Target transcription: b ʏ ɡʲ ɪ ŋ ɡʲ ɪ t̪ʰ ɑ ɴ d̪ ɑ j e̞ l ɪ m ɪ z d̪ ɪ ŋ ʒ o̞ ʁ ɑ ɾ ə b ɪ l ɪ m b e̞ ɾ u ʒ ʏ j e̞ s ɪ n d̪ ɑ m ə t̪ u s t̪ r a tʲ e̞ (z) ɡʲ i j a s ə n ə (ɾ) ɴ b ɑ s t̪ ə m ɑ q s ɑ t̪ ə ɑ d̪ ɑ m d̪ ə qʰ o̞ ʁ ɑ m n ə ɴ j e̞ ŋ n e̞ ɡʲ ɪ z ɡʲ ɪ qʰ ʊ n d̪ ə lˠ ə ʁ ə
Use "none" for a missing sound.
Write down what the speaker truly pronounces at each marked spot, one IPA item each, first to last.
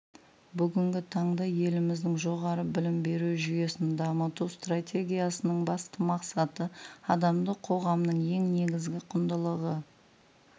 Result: none, none

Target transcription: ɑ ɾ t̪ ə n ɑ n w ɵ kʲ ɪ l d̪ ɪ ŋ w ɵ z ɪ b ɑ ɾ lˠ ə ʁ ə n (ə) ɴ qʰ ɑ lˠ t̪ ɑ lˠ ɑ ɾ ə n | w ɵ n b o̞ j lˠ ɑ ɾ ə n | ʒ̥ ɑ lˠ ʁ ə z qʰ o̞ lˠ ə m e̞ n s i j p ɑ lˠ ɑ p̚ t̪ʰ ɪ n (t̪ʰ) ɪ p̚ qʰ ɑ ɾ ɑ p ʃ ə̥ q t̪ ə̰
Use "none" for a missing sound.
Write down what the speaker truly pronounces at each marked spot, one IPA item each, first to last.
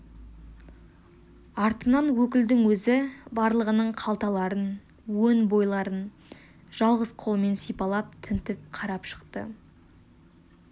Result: ə, t̪

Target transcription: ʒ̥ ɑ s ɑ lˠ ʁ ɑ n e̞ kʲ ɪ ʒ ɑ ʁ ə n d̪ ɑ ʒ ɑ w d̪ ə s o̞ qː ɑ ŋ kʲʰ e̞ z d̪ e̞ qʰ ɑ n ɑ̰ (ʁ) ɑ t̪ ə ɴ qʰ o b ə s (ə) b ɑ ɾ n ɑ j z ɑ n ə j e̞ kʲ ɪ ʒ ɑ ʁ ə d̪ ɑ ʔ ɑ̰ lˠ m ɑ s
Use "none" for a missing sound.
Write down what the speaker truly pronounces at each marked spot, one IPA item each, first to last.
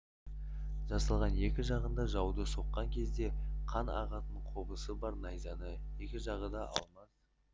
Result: ʁ, ə

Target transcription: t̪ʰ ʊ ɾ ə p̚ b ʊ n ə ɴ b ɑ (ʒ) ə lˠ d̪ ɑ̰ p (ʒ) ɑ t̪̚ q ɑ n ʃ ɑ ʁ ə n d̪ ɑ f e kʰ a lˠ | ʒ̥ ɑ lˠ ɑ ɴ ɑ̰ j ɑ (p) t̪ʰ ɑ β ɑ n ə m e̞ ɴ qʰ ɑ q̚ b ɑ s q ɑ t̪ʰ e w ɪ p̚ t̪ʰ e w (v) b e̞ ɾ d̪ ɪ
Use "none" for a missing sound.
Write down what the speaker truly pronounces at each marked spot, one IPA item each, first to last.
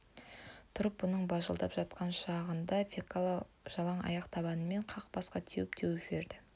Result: ʒ, ʒ, q, ʒ

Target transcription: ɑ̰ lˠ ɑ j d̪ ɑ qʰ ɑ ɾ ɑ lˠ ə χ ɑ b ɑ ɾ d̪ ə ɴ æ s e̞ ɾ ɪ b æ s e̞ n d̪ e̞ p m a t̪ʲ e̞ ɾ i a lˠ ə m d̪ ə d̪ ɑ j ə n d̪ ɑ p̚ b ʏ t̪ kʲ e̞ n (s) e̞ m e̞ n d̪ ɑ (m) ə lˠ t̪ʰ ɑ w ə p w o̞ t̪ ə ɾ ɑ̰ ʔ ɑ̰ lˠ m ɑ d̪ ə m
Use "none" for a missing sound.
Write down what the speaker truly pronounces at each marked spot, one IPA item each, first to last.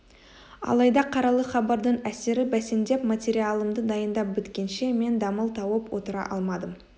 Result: ʃ, m

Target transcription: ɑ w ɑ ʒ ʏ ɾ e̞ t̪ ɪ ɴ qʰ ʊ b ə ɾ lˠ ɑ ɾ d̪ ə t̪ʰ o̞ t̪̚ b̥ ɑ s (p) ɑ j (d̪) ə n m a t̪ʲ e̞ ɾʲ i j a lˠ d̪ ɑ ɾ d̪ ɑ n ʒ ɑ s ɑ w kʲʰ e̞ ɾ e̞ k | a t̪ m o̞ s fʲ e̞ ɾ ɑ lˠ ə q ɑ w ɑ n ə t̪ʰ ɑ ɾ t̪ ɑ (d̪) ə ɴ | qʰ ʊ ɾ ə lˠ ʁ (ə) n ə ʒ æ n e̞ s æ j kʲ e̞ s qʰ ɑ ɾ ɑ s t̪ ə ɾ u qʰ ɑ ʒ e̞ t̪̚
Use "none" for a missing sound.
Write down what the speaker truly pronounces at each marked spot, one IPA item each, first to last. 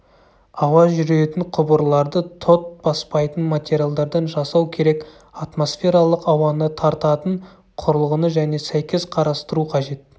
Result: p, t̪, t̪, ə

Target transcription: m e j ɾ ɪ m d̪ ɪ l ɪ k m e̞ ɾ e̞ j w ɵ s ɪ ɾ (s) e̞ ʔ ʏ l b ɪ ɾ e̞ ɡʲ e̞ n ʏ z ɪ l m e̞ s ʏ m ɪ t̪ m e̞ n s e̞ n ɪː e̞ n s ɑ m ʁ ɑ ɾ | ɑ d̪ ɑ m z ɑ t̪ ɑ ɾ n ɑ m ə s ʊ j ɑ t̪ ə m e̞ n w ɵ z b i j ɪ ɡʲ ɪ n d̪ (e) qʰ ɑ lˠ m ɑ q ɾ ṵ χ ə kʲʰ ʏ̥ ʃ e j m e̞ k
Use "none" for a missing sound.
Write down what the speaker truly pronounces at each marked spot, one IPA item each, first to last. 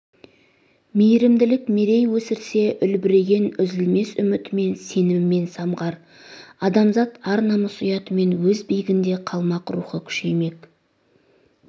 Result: s, e

